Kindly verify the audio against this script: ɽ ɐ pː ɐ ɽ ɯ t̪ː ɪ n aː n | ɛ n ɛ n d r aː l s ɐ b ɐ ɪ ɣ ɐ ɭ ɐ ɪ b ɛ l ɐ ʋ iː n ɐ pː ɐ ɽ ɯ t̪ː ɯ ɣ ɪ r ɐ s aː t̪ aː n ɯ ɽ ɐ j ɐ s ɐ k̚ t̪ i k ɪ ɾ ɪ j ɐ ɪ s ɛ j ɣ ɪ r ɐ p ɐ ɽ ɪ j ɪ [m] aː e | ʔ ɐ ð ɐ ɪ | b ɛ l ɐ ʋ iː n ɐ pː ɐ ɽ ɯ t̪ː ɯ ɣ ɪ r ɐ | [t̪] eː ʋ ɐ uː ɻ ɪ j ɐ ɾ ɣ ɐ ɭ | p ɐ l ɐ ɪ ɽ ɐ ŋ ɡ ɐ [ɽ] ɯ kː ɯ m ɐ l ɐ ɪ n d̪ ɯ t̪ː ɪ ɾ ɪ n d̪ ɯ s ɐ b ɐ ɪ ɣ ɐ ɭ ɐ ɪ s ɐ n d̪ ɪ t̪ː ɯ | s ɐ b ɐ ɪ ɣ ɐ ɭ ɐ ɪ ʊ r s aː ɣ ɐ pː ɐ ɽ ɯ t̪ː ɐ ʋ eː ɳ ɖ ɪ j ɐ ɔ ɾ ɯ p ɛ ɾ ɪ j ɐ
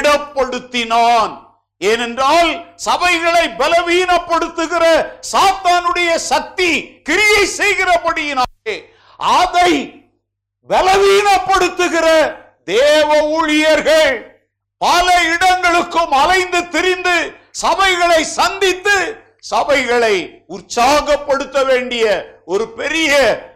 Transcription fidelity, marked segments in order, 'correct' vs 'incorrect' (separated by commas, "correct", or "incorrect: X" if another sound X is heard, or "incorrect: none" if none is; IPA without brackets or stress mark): incorrect: n, incorrect: d̪, incorrect: ɭ